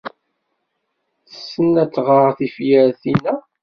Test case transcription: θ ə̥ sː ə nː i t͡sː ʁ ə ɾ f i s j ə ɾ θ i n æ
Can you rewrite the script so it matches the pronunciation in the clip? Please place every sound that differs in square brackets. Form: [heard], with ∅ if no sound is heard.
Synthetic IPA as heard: θ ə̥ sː ə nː [æ] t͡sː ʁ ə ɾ [θ] i [f] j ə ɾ θ i n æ